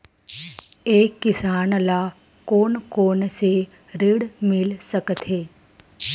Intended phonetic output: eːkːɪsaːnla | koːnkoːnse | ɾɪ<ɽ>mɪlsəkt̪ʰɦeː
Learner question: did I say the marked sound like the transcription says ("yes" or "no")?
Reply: yes